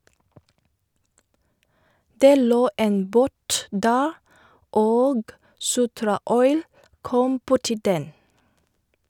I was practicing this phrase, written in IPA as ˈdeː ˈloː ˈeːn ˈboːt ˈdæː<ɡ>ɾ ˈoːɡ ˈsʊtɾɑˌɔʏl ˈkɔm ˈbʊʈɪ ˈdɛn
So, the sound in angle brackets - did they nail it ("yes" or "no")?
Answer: no